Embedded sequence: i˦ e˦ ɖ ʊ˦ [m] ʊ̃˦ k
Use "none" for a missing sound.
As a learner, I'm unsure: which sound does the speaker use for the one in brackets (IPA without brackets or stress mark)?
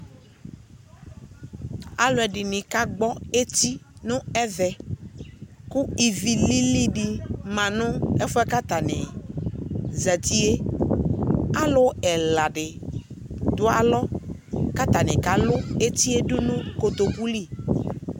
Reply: n